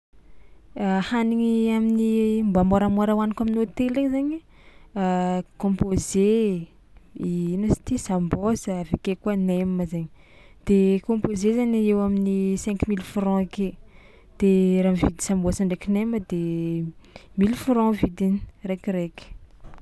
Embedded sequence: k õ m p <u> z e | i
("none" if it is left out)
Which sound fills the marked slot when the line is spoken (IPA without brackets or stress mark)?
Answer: o